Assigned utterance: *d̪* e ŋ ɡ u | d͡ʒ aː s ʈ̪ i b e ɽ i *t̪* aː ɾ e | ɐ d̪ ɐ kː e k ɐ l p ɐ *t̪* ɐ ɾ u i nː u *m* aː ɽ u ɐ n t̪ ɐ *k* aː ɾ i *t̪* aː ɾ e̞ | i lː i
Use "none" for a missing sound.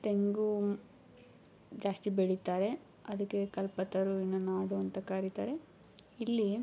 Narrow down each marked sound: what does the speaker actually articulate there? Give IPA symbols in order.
t̪, t̪, t̪, n, k, t̪

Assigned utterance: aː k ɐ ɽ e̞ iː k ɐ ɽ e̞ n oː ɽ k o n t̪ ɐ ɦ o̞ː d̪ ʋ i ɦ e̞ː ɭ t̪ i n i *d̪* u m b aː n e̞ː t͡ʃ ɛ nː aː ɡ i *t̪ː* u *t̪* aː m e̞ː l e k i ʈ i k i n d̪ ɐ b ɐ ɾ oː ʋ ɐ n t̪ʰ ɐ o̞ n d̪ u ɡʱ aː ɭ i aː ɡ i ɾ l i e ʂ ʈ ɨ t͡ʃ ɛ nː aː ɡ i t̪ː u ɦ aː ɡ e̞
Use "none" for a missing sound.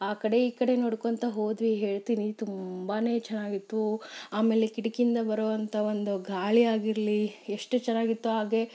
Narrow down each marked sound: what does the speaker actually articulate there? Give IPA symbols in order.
t̪, t̪ː, none

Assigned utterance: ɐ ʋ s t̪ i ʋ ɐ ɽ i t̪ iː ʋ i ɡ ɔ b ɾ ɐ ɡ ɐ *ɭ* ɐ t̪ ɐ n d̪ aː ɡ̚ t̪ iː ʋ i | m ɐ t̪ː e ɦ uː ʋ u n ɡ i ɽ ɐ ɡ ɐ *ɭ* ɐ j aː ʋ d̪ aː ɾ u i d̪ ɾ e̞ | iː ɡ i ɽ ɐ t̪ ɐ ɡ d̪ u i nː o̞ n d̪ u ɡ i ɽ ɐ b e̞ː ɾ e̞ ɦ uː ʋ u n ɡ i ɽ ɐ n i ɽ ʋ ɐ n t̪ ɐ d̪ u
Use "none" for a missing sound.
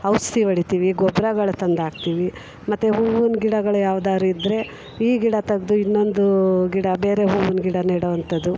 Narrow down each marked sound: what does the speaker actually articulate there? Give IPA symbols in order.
ɭ, ɭ

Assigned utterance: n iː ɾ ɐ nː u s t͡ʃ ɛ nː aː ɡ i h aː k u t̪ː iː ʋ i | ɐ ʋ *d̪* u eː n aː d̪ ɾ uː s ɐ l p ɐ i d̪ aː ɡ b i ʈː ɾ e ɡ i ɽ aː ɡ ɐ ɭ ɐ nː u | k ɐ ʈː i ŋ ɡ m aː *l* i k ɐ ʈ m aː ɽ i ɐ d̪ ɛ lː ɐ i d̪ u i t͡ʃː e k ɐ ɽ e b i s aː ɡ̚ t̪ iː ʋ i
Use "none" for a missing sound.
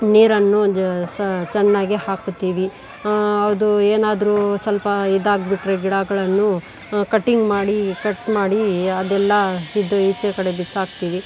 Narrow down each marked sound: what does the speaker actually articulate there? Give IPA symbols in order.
d̪, ɽ

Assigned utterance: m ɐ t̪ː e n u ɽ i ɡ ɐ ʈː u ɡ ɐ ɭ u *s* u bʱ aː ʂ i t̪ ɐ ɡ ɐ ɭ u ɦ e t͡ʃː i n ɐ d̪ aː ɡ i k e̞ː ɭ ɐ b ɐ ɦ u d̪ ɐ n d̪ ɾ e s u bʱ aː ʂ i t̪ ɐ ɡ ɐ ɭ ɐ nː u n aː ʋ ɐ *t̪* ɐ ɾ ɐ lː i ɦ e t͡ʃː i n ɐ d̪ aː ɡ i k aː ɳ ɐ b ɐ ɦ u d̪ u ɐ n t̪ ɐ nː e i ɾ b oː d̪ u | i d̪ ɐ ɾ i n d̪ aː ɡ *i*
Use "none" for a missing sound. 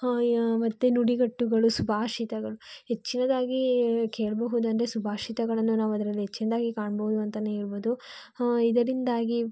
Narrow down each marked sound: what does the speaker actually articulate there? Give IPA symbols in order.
s, d̪, i

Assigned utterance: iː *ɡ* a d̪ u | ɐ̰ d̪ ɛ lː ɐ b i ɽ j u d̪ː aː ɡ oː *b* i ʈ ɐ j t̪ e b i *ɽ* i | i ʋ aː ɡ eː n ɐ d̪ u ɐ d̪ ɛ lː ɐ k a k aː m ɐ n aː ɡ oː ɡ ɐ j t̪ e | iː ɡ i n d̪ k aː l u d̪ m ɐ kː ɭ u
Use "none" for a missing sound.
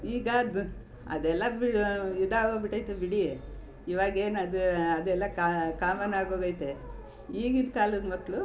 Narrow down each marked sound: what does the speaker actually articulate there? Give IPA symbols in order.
ɡ, b, ɽ

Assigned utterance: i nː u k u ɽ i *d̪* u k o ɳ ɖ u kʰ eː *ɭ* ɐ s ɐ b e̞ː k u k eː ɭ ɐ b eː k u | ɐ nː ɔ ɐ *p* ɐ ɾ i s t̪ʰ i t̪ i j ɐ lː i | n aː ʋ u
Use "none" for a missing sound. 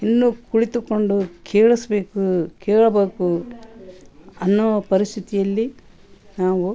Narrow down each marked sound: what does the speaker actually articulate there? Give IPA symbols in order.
t̪, ɭ, p

